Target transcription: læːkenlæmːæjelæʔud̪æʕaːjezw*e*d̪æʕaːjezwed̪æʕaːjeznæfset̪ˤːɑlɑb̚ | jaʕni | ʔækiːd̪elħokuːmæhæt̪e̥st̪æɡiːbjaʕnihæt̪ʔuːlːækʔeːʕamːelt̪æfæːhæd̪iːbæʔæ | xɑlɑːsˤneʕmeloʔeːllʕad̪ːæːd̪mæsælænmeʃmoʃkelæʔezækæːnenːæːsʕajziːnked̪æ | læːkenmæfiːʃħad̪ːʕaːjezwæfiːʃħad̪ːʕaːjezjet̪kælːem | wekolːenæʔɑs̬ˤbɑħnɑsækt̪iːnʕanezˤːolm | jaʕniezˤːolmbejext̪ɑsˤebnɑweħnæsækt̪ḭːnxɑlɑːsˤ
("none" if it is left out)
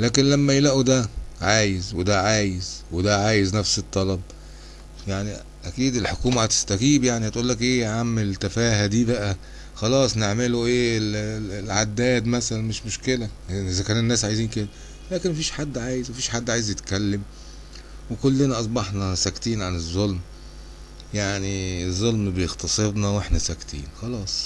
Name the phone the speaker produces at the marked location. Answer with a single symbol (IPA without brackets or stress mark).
e